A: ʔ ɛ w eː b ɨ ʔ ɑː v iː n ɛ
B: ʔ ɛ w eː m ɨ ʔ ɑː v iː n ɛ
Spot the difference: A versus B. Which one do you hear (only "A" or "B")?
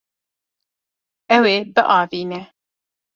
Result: A